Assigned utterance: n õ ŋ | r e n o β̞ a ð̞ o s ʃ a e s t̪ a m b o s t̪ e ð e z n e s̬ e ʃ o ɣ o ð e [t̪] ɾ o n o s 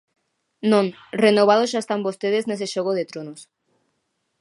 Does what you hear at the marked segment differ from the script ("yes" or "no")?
no